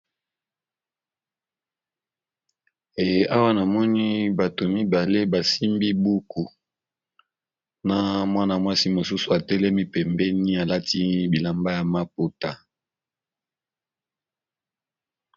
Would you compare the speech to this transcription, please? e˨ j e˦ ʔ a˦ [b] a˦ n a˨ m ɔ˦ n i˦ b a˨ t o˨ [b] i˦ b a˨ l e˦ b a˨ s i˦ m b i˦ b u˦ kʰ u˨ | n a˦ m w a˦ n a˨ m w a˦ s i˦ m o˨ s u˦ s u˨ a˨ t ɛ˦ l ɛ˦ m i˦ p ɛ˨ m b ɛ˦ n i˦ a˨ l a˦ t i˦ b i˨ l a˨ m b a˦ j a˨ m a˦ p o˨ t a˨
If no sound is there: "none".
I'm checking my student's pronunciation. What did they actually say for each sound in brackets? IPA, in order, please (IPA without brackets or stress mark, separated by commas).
w, m